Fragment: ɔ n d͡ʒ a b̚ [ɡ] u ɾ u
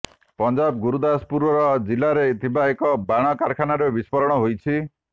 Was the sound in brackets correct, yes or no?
yes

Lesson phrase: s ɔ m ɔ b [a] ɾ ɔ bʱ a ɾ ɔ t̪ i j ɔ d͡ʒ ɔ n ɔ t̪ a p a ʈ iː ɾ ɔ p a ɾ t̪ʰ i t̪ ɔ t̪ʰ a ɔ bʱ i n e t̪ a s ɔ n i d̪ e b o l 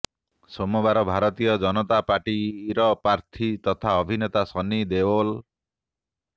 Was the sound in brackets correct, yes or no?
yes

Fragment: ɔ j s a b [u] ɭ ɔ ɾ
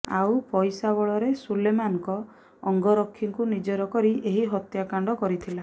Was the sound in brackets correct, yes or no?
no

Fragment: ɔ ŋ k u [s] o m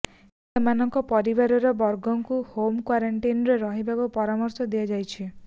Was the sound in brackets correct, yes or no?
no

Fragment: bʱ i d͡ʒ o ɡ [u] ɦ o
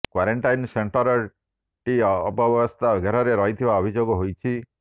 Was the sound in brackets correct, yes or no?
no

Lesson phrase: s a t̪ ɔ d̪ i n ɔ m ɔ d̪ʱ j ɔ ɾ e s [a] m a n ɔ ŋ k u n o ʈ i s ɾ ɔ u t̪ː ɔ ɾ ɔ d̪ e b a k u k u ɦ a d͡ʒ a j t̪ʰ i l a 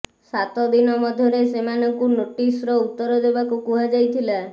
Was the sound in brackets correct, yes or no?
no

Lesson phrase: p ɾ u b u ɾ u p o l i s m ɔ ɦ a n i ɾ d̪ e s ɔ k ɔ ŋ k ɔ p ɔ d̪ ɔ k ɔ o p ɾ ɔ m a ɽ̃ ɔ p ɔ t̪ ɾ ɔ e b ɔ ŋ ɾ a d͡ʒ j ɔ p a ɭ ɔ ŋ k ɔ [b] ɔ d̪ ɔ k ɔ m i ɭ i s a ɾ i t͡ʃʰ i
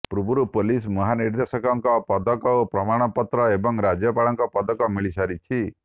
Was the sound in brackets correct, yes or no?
no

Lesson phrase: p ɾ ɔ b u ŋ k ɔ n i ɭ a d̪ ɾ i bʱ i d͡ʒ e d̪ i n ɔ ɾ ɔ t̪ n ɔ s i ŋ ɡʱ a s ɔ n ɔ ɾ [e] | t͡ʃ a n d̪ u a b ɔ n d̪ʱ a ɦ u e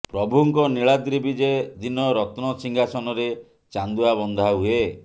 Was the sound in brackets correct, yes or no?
yes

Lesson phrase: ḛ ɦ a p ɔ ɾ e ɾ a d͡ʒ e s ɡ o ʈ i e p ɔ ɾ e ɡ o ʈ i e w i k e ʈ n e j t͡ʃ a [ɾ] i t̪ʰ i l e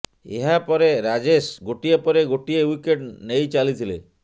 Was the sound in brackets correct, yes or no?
no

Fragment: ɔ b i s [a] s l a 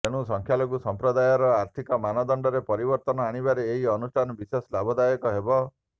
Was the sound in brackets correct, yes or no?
no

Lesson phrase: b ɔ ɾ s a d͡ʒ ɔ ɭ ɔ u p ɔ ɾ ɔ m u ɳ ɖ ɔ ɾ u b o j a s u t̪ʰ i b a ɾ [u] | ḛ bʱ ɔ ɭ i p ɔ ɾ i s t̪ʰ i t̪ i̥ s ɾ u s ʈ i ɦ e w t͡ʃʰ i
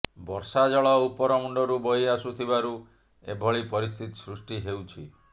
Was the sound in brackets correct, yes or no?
yes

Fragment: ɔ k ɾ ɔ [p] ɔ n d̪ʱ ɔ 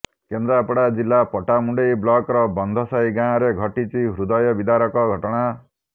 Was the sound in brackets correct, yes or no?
no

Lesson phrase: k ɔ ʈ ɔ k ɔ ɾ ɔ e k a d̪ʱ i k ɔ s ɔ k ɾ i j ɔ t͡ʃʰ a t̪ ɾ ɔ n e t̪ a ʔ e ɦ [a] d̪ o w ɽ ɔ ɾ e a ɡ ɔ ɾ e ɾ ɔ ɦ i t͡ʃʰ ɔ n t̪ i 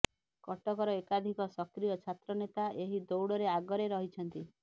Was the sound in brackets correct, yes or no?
no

